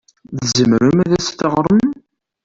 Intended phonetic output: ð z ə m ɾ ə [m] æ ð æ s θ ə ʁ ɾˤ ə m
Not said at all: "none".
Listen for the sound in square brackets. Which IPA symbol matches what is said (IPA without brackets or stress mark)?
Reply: m